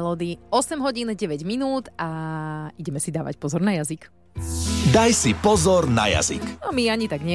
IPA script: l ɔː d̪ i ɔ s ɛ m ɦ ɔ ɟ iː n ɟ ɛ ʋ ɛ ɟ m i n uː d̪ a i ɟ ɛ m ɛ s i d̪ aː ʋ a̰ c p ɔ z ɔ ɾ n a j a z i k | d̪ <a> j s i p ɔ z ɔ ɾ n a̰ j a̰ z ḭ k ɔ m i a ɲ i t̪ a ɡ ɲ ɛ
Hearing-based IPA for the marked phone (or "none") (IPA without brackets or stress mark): a